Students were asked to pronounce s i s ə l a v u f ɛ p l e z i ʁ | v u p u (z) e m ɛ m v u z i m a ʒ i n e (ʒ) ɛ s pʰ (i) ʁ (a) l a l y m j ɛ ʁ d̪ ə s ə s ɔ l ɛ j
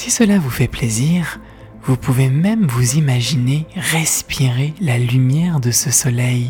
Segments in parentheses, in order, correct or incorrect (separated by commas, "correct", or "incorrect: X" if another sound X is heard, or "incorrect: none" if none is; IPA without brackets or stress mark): incorrect: v, incorrect: ʁ, correct, incorrect: e